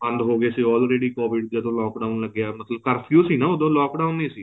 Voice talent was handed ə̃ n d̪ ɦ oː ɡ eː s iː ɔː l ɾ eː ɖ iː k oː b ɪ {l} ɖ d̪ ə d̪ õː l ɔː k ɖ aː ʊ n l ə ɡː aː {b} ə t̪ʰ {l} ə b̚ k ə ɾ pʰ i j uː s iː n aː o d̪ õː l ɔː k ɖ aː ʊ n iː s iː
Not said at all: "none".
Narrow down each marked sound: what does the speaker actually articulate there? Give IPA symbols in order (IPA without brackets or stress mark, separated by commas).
none, m, l